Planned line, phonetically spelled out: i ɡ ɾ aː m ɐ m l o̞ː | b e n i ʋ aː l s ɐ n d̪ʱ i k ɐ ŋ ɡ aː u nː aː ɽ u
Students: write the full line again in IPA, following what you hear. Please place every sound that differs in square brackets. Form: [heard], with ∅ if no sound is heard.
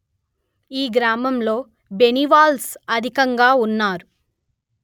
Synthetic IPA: [iː] ɡ ɾ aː m ɐ m l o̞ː | b e n i ʋ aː l s ɐ [∅] d̪ʱ i k ɐ ŋ ɡ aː u nː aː [ɾ] u